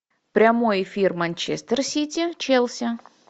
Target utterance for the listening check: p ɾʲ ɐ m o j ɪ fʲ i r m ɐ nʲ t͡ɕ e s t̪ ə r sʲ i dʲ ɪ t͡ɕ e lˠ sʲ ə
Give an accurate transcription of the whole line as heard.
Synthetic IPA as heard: p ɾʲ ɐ m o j ɪ fʲ i r m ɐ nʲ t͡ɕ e s t̪ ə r sʲ i tʲ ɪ t͡ɕ e lˠ sʲ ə